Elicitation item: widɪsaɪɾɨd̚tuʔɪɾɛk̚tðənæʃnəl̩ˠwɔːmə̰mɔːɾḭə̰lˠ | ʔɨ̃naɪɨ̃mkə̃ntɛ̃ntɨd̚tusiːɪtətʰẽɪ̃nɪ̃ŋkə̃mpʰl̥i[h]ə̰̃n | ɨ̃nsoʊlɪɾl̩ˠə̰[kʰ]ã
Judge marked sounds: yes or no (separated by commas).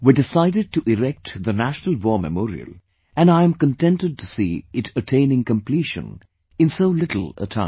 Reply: no, no